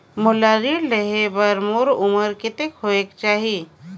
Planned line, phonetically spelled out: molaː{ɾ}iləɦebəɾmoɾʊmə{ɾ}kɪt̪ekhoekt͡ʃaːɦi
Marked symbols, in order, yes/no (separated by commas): yes, yes